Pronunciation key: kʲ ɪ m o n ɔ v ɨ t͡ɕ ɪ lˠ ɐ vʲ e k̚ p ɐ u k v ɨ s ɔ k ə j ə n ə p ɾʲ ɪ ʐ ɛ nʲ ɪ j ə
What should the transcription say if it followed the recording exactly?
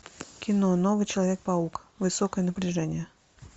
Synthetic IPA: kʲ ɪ n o n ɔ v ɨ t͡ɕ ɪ lˠ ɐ vʲ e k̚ p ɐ u k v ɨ s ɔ k ə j ə n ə p ɾʲ ɪ ʐ ɛ nʲ ɪ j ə